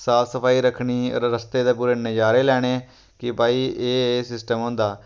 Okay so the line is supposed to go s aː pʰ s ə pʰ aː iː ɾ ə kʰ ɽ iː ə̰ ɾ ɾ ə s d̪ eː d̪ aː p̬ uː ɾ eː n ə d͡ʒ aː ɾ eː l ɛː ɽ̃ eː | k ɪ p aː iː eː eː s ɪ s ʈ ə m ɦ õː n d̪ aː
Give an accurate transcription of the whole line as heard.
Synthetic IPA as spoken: s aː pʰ s ə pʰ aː iː ɾ ə kʰ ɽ iː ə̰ ɾ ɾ ə s t̪ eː d̪ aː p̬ uː ɾ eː n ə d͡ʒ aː ɾ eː l ɛː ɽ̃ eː | k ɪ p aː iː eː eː s ɪ s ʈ ə m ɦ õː n d̪ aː